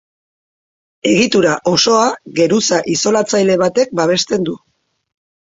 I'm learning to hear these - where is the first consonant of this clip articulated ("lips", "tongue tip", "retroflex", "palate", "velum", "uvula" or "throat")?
velum